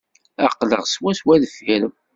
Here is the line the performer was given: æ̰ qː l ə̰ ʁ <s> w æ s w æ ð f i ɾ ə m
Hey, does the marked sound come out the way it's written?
yes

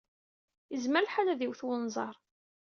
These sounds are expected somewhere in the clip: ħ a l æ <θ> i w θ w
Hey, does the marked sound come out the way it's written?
no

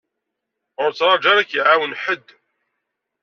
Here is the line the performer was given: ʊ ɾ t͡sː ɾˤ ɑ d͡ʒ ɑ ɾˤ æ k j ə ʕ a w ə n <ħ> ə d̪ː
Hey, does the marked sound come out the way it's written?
yes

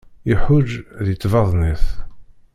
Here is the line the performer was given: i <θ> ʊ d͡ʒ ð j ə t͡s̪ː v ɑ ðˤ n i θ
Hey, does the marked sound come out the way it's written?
no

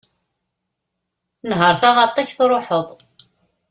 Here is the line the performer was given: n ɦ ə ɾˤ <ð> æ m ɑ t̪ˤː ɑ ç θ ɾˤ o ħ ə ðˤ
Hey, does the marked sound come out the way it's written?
no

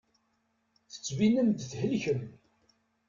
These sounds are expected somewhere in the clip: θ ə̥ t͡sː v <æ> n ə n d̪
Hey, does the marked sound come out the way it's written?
no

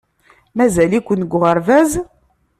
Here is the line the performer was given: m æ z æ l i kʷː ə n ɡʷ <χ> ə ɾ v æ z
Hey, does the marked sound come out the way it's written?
no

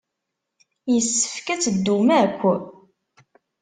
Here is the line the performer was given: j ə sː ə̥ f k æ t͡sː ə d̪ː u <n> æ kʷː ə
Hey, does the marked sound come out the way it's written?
no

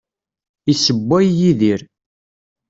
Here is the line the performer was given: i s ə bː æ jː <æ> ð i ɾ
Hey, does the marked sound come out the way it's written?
no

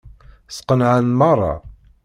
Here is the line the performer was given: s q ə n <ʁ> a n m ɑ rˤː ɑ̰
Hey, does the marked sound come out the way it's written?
no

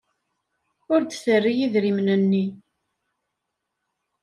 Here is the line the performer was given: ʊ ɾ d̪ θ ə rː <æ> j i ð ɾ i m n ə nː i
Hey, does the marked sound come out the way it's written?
no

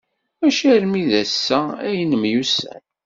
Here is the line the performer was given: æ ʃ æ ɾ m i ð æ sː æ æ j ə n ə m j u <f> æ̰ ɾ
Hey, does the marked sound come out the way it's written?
no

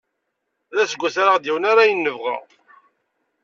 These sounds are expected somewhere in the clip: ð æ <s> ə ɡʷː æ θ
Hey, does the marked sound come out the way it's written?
yes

